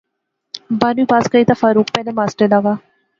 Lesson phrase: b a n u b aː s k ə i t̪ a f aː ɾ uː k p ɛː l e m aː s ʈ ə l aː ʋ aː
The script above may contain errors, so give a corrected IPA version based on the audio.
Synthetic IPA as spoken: b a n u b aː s k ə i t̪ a f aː ɾ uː k p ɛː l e m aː s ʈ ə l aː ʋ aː